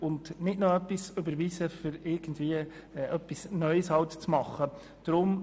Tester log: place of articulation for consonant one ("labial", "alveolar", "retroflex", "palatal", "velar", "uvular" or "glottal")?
alveolar